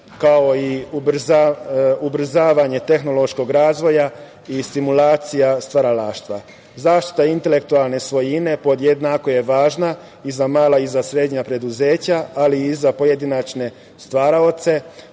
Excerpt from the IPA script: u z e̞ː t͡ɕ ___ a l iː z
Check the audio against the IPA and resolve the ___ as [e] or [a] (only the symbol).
a